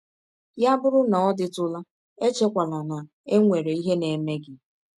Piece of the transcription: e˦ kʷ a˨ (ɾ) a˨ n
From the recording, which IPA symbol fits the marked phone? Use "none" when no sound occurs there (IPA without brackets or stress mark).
l